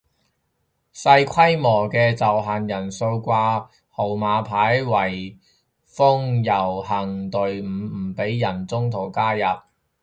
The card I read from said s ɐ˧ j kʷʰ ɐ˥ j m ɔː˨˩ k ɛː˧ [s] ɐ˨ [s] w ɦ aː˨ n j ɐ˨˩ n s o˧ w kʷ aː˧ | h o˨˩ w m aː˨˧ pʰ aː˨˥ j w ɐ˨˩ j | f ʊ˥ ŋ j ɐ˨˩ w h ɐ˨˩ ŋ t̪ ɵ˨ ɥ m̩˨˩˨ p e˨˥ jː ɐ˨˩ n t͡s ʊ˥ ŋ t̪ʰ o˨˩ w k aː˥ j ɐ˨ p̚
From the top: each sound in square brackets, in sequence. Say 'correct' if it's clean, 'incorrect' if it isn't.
incorrect: t͡s, incorrect: none

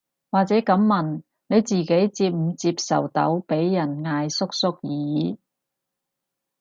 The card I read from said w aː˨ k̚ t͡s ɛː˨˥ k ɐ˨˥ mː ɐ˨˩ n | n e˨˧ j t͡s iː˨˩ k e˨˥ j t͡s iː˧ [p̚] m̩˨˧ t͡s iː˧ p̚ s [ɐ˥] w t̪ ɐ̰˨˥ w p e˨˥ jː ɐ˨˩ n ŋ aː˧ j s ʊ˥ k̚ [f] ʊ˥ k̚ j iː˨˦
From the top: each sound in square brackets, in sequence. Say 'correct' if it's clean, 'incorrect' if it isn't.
correct, incorrect: ɐ˨˩, incorrect: s

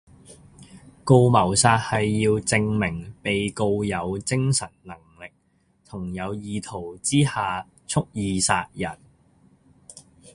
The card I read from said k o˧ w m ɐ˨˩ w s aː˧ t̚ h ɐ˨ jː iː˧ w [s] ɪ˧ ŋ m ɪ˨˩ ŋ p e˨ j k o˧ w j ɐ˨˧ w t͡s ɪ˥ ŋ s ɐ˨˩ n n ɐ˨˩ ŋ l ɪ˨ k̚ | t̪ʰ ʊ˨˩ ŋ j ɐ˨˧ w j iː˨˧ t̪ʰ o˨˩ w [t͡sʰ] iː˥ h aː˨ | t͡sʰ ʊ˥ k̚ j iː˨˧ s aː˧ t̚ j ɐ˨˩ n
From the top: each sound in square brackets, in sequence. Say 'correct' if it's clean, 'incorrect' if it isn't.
incorrect: t͡s, incorrect: t͡s

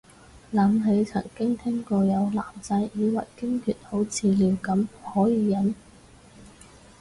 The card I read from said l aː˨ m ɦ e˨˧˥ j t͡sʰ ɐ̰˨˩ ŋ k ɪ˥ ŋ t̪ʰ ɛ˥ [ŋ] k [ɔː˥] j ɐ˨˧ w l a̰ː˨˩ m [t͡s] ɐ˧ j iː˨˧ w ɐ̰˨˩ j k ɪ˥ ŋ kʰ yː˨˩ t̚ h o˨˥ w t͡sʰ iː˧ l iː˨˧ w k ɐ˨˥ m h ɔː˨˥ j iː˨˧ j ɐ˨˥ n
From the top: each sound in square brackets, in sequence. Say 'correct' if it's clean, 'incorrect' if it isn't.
correct, incorrect: ɔː˧, correct

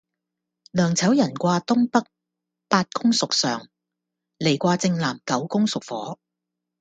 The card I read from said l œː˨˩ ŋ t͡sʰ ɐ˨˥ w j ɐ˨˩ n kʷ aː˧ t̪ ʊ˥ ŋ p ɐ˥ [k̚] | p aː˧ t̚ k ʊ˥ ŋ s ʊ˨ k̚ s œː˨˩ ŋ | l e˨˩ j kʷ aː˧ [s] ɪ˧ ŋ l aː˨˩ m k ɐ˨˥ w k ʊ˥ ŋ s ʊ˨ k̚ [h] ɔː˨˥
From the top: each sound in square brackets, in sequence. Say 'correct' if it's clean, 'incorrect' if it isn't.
correct, incorrect: t͡s, incorrect: f

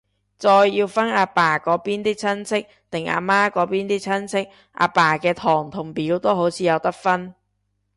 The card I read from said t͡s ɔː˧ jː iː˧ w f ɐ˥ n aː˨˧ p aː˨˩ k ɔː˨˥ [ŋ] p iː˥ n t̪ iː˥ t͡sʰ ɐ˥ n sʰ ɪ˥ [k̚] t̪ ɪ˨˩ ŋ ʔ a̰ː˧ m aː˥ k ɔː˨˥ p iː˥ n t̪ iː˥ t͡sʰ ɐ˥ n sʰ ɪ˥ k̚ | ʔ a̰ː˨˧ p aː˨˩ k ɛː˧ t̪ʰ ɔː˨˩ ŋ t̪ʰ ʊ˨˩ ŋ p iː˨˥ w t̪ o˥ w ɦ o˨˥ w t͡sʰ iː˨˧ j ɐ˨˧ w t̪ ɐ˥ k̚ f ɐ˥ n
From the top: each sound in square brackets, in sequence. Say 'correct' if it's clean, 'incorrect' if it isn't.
incorrect: none, correct

